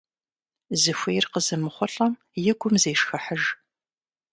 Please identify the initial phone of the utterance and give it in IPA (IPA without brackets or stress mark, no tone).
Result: z